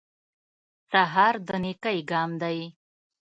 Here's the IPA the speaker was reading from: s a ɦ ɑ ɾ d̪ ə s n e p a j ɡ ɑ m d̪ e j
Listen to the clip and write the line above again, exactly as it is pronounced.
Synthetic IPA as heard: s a ɦ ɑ ɾ d̪ ə n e k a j ɡ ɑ m d̪ a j

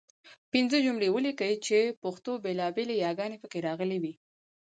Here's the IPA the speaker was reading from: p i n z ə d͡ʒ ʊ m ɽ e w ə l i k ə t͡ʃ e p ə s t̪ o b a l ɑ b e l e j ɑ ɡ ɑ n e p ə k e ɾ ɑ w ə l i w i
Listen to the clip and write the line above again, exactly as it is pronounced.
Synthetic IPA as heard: p i n z ə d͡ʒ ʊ m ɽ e w ə l i k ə t͡ʃ e p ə x t̪ o b e l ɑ b e l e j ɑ ɡ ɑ n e p ə k e ɾ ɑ ɣ ə l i w i

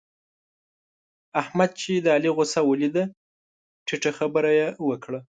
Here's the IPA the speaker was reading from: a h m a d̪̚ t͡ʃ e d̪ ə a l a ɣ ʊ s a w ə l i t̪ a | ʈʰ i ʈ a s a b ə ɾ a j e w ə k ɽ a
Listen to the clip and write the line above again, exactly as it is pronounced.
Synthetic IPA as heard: a h m a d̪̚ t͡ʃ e d̪ ə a l i ɣ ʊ s a w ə l i d̪ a | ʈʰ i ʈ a x a b ə ɾ a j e w ə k ɽ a

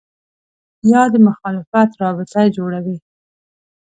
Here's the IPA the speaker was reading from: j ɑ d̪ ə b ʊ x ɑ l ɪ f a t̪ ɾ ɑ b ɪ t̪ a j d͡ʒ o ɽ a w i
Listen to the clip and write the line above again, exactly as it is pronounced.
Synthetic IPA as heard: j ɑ d̪ ə m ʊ x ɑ l ɪ f a t̪ ɾ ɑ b ɪ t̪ a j d͡ʒ o ɽ a w i

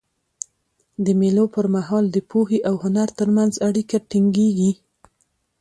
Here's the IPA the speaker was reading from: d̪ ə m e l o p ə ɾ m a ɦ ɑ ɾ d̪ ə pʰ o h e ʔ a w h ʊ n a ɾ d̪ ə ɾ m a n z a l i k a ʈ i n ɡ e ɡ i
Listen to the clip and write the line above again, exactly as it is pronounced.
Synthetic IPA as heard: d̪ ə m e l o p ə ɾ m a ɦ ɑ l d̪ ə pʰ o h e ʔ a w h ʊ n a ɾ t̪ ə ɾ m a n z a ɽ i k a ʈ i ŋ ɡ e ɡ i

